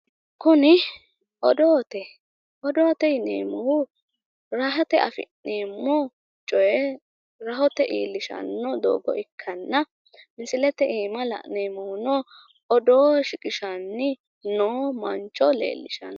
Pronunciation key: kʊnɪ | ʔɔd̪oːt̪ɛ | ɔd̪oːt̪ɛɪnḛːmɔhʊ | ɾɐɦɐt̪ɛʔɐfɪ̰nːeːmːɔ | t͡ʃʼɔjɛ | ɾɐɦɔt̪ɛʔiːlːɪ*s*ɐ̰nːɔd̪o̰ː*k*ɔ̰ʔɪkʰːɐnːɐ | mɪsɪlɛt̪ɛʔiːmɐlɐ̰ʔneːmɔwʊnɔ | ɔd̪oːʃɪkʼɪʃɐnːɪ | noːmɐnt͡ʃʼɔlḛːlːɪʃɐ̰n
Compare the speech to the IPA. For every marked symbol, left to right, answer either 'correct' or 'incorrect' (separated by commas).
incorrect, incorrect